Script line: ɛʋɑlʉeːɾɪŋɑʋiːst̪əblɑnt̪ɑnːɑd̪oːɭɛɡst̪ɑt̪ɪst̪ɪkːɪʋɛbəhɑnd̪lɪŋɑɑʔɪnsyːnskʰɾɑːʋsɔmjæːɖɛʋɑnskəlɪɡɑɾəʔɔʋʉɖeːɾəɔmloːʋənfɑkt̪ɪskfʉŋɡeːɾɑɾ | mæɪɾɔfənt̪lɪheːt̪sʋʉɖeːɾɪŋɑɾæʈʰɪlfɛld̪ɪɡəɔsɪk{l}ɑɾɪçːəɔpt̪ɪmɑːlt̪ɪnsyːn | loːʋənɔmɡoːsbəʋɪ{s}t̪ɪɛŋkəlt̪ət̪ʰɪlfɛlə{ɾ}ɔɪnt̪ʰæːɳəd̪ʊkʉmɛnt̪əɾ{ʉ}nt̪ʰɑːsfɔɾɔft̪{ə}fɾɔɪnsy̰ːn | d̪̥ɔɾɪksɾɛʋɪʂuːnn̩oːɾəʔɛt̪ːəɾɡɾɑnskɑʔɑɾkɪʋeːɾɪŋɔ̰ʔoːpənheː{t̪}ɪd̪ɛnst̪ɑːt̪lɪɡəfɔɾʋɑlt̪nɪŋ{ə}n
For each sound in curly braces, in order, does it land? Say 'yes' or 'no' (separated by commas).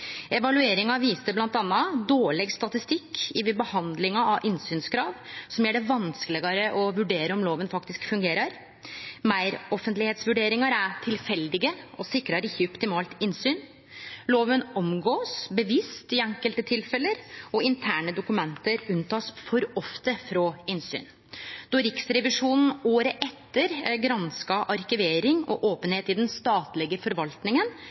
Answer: no, yes, yes, yes, yes, yes, yes